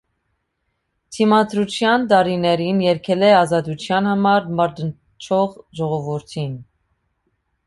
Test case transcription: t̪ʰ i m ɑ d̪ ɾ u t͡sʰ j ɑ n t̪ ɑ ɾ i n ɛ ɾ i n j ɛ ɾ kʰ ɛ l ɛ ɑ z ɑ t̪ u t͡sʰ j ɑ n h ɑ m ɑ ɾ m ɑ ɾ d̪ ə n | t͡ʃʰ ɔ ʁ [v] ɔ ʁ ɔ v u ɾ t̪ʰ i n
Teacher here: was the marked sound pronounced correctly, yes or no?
no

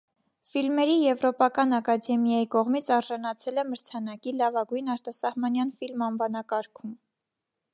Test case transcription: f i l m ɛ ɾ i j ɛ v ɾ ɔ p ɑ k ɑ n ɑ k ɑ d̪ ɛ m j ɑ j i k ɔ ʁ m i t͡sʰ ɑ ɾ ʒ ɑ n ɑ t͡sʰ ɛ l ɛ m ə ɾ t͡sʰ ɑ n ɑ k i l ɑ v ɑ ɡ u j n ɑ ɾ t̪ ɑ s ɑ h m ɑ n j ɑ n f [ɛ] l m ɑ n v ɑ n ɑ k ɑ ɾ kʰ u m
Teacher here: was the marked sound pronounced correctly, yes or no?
no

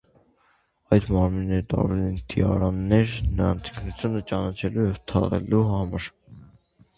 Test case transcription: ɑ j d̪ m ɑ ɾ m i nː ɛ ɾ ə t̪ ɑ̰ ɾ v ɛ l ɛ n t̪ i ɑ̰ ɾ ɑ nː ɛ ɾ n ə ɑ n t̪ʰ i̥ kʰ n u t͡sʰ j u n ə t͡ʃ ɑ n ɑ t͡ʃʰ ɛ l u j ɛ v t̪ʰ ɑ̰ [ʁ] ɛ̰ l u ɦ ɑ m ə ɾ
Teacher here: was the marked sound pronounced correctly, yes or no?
yes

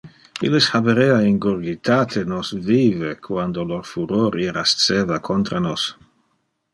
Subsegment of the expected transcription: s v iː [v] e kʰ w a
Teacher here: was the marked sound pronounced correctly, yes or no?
yes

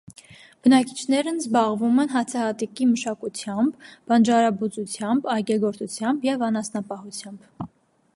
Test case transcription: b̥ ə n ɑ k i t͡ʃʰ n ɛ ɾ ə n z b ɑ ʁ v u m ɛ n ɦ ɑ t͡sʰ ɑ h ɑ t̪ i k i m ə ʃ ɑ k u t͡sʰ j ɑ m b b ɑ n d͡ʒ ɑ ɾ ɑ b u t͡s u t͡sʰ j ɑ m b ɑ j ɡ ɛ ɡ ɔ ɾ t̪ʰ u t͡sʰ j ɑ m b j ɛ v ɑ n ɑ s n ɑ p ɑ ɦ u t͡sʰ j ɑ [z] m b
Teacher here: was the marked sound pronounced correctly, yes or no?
no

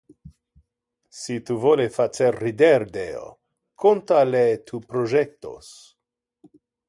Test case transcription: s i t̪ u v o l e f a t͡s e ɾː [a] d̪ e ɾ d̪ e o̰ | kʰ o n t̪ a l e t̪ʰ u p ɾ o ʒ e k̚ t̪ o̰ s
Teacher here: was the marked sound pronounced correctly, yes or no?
no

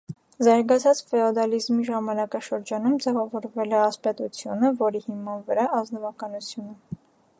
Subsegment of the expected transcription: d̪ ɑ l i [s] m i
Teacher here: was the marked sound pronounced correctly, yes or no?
no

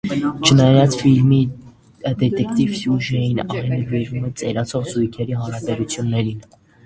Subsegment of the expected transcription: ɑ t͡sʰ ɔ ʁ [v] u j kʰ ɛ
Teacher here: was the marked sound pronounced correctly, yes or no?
no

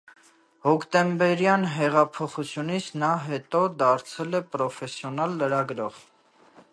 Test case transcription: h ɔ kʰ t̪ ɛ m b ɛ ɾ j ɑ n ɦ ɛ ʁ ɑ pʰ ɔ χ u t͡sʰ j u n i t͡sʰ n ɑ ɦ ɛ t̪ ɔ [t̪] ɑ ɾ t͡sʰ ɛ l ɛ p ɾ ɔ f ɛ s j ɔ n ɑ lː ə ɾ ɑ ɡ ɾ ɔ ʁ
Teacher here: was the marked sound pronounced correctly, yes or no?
no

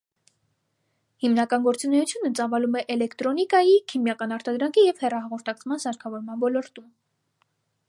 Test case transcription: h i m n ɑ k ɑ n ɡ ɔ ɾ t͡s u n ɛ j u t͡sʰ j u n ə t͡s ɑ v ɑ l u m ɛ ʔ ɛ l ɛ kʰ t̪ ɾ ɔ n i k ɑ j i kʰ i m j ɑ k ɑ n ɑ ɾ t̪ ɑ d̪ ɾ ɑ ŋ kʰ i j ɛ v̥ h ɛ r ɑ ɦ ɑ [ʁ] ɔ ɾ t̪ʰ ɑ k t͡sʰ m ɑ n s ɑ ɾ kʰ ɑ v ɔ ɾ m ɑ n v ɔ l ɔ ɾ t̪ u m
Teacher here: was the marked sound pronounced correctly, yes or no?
yes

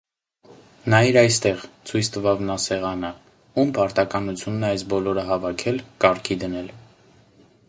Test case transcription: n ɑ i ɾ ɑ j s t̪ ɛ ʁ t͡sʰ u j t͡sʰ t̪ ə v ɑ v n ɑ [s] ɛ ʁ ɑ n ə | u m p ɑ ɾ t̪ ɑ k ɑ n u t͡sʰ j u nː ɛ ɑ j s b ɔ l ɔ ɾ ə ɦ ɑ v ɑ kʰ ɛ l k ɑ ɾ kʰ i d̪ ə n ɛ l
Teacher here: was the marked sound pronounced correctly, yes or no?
yes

